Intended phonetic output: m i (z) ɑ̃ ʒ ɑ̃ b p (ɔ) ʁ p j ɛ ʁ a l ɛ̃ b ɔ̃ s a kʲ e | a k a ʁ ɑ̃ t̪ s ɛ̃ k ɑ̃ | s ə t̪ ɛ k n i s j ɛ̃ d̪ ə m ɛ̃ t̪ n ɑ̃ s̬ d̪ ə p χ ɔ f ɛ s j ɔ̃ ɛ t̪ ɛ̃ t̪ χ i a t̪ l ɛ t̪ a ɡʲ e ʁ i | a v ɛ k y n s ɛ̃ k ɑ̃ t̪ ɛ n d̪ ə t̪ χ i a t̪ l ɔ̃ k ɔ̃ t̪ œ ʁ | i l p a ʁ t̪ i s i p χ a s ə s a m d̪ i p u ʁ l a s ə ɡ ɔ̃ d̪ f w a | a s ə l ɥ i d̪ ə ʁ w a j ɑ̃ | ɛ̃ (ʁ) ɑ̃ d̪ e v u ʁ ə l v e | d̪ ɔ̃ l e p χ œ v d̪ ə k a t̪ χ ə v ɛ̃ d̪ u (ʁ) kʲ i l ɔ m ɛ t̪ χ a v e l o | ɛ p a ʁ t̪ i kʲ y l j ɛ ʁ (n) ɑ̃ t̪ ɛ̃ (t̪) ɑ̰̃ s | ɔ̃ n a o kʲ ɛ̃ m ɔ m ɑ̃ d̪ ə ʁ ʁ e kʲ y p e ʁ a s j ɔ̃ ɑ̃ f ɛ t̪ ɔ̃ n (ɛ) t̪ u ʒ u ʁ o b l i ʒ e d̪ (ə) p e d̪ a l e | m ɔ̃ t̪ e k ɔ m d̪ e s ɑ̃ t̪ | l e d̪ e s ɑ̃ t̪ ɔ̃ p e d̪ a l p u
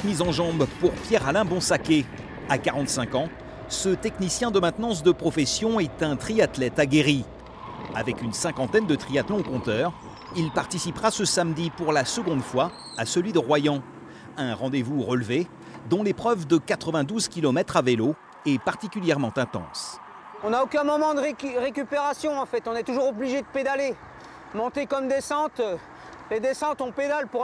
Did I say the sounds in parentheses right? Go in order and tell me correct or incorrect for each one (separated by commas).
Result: correct, incorrect, correct, incorrect, incorrect, correct, correct, correct